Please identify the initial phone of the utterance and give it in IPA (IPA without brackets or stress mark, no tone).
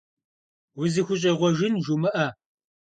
w